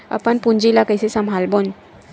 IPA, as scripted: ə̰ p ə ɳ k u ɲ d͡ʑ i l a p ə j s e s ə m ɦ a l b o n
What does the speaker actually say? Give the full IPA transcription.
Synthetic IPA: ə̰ p ə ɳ p u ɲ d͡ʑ i l a k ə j s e s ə m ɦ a l b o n